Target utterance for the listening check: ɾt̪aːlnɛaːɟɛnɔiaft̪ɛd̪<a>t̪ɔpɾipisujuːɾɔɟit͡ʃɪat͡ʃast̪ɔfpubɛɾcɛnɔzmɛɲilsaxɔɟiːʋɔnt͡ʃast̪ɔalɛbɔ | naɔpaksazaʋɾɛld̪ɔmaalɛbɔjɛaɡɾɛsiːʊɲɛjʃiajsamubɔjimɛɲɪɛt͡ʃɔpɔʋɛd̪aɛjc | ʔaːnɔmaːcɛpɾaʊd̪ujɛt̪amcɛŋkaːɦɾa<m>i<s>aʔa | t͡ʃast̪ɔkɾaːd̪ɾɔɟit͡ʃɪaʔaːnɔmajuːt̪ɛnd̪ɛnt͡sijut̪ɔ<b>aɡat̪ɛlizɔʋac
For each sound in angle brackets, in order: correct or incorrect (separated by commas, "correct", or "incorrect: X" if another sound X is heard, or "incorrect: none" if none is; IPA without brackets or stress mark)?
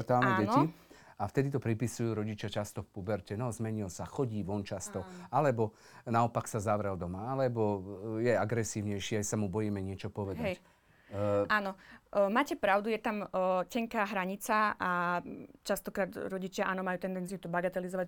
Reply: incorrect: i, incorrect: ɲ, incorrect: t͡s, correct